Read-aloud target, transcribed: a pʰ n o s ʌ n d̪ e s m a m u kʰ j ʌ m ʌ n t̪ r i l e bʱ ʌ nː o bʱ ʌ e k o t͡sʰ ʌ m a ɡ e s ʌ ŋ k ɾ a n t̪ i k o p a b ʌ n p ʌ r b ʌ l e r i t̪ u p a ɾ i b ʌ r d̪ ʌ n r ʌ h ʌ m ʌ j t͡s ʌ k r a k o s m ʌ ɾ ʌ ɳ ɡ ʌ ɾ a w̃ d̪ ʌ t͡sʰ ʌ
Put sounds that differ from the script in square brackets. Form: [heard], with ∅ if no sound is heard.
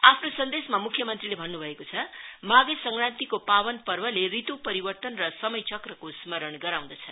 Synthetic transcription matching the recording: a pʰ n o s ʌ n d̪ e s m a m u kʰ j ʌ m ʌ n t̪ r i l e bʱ ʌ nː [u] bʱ ʌ e k o t͡sʰ ʌ m a ɡ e s ʌ ŋ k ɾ a n t̪ i k o p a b ʌ n p ʌ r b ʌ l e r i t̪ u p [ʌ] ɾ i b ʌ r [t̪] ʌ n r ʌ [s] ʌ m ʌ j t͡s ʌ k r [ʌ] k o s m ʌ ɾ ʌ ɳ ɡ ʌ ɾ a w̃ d̪ ʌ t͡sʰ ʌ